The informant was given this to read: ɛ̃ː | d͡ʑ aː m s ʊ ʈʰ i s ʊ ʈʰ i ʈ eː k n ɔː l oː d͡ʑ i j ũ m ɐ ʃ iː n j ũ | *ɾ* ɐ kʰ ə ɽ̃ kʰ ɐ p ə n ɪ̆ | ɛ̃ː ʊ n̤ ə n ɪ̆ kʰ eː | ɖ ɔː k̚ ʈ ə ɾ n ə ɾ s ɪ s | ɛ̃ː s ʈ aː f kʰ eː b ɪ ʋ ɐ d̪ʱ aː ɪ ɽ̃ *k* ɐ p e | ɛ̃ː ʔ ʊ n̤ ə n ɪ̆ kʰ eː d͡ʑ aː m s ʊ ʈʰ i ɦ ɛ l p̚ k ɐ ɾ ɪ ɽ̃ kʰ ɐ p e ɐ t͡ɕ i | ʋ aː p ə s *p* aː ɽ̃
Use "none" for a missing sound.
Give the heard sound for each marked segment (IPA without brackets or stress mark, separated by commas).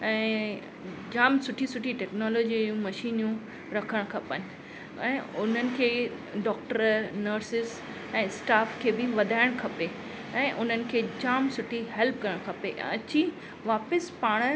ɾ, kʰ, p